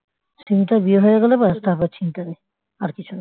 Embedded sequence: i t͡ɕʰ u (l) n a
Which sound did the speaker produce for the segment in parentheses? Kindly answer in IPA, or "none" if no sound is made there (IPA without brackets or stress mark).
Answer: none